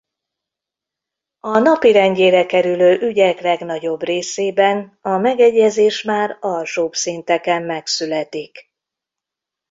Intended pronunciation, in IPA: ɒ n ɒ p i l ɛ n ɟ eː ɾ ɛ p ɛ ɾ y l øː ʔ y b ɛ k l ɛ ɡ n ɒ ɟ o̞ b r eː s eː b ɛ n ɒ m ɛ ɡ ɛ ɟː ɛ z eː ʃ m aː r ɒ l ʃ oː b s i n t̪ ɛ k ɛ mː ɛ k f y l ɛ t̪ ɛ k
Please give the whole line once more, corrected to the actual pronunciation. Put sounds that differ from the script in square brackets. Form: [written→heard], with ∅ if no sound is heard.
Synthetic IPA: ɒ n ɒ p i [l→ɾ] ɛ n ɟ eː ɾ ɛ [p→k] ɛ ɾ y l øː ʔ y [b→ɟ] ɛ k l ɛ ɡ n ɒ ɟ o̞ b r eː s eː b ɛ n ɒ m ɛ ɡ ɛ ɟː ɛ z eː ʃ m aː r ɒ l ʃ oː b s i n t̪ ɛ k ɛ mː ɛ k [f→s] y l ɛ t̪ [ɛ→i] k